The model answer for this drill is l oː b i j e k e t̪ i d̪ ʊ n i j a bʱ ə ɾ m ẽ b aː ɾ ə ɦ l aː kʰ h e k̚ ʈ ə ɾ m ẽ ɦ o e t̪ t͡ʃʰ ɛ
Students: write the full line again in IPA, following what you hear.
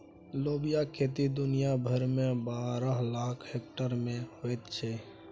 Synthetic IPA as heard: l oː b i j a k e t̪ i d̪ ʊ n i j a bʱ ə ɾ m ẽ b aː ɾ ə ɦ l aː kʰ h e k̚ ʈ ə ɾ m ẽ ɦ o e t̪ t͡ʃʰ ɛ